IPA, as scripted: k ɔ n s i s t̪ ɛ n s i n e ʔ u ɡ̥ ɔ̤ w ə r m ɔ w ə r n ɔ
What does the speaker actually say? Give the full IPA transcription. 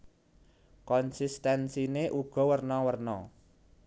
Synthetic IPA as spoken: k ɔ n s i s t̪ ɛ n s i n e ʔ u ɡ̥ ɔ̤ w ə r n ɔ w ə r n ɔ